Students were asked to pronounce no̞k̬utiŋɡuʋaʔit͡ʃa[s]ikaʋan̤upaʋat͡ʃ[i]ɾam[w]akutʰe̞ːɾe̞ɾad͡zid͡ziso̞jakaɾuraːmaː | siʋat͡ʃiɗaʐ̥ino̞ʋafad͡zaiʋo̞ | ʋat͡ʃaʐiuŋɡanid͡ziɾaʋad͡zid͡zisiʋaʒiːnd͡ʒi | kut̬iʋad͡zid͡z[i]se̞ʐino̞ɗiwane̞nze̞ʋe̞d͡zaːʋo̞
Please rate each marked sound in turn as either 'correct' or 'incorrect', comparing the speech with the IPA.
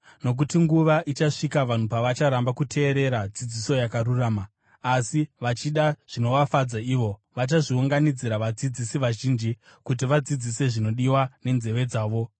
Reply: incorrect: ʂ, incorrect: a, incorrect: b, correct

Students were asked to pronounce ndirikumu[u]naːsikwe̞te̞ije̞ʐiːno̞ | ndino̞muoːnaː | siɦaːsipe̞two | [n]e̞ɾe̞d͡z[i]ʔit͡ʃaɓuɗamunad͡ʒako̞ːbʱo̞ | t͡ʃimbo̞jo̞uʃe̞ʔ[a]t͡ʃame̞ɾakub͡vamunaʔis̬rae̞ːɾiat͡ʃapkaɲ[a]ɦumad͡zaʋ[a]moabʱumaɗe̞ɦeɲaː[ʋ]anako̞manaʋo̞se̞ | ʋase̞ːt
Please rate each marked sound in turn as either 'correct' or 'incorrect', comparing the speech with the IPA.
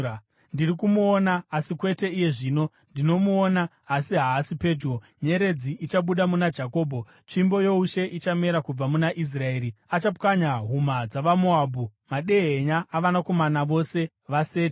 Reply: incorrect: o, incorrect: ɲ, correct, incorrect: i, correct, correct, correct

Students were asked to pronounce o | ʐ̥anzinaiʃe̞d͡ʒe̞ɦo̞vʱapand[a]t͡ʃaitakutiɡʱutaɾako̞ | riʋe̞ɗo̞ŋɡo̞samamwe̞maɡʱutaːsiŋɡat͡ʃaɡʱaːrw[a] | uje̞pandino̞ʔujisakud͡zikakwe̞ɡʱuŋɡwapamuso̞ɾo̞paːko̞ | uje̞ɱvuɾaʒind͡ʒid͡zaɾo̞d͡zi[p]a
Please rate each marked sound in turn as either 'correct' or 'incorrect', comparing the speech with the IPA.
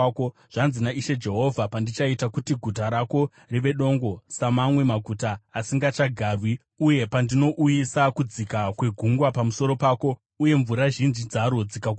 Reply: incorrect: i, incorrect: i, incorrect: k

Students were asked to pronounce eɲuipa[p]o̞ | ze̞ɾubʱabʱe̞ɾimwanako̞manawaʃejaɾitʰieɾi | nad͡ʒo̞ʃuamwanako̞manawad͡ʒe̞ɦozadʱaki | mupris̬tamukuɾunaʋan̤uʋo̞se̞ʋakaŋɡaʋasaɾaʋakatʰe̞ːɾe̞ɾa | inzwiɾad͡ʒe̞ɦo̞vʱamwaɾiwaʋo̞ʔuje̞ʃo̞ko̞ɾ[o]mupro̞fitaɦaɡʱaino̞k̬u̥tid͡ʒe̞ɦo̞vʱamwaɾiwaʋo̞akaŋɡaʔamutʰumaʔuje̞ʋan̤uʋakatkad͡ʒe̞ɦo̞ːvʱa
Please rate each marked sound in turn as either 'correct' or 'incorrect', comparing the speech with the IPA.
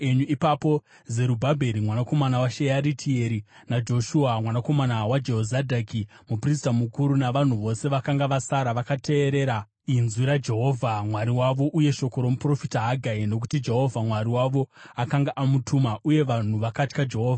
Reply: correct, correct

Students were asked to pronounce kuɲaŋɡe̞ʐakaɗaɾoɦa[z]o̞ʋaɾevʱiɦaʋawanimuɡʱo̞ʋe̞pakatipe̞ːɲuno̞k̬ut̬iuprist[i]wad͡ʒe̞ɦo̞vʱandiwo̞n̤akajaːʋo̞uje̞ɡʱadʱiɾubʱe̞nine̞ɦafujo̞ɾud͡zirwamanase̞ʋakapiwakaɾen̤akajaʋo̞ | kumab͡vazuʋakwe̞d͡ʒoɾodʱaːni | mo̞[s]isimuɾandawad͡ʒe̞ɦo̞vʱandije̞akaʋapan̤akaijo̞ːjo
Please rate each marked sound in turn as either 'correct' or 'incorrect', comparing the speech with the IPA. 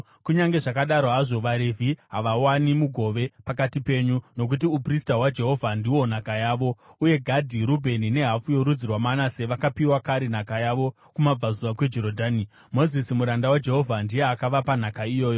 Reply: incorrect: ʐ, incorrect: a, incorrect: z

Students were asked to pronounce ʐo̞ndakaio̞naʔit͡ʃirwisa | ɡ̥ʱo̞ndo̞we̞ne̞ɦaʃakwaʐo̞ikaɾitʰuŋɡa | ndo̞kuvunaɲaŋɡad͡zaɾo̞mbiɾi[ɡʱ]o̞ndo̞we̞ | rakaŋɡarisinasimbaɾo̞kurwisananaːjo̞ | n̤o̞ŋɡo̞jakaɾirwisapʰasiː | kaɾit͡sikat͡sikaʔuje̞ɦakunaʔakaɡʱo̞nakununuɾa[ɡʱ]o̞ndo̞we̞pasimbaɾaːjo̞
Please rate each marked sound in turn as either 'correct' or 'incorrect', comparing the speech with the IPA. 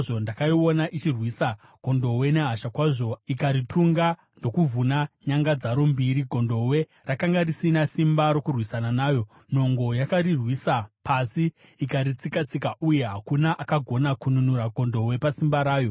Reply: correct, correct

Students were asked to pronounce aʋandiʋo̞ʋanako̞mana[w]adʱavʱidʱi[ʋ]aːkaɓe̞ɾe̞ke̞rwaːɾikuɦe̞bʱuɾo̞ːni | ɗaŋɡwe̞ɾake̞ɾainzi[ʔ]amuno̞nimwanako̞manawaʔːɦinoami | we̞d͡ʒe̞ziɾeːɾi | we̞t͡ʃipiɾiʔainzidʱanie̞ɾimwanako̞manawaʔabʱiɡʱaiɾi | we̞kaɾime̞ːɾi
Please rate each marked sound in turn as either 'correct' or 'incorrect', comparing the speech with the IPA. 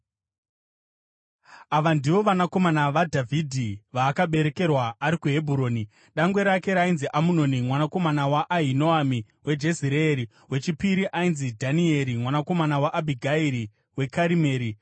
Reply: incorrect: ʋ, correct, correct

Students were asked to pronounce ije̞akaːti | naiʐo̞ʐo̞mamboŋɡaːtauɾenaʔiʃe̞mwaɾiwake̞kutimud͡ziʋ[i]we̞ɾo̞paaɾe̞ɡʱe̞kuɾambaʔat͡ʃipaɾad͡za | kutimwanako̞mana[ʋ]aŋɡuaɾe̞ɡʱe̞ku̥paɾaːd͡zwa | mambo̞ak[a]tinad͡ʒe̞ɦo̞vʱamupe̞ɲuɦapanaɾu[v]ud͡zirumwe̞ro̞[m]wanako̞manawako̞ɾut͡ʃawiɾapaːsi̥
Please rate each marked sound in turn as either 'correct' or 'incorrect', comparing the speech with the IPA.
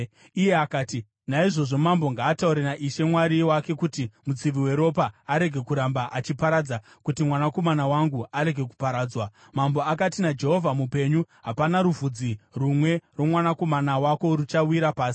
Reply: correct, incorrect: w, correct, correct, correct

